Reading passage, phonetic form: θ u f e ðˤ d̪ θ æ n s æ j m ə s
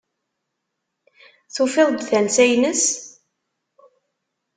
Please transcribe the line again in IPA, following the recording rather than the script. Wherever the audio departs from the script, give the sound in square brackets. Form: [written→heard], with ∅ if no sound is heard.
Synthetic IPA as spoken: θ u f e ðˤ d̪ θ æ n s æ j [m→n] ə s